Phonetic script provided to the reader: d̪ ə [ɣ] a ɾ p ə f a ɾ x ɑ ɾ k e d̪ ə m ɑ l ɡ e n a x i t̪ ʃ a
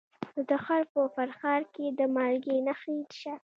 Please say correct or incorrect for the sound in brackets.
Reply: incorrect